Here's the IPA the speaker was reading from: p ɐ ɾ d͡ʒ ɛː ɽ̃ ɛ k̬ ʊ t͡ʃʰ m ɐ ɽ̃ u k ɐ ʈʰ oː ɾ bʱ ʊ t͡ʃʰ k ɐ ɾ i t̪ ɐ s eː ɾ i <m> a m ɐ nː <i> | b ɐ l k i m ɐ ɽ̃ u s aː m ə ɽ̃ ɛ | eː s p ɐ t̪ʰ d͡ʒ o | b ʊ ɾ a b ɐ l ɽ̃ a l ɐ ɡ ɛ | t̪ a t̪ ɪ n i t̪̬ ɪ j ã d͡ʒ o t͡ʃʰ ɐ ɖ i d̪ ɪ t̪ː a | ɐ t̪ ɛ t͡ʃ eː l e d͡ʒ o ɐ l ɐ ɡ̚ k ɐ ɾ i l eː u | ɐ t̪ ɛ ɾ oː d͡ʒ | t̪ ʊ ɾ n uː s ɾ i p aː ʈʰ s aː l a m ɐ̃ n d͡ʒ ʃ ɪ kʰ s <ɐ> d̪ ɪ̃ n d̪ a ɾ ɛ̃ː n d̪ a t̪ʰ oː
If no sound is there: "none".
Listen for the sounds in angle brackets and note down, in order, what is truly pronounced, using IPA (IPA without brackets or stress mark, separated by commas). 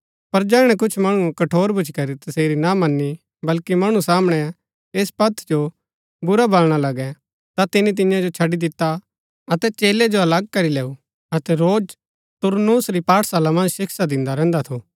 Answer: n, i, a